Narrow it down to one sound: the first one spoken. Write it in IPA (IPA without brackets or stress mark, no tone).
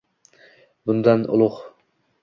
b